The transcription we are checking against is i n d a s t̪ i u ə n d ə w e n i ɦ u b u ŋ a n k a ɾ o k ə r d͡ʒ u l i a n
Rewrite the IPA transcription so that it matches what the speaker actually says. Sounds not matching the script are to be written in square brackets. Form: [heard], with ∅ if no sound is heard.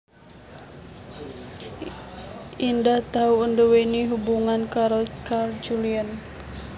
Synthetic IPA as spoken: i n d a [h] t̪ [a] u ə n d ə w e n i ɦ u b u ŋ a n k a ɾ o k [a] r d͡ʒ u l i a n